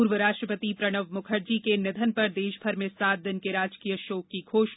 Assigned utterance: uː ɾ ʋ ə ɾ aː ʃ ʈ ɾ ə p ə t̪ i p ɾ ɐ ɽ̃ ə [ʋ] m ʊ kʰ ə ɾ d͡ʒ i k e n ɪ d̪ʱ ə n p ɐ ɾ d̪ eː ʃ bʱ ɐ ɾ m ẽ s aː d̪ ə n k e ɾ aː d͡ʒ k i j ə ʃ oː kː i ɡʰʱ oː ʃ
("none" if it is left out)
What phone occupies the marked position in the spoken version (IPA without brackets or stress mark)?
ʋ